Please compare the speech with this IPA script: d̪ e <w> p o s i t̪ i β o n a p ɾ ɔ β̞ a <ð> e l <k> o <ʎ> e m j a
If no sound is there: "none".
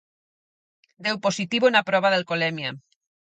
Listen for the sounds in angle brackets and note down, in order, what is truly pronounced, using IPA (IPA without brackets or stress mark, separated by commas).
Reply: w, ð, k, l